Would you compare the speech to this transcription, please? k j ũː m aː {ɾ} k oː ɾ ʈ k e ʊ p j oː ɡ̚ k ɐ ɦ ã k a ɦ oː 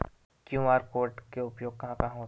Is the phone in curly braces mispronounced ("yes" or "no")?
no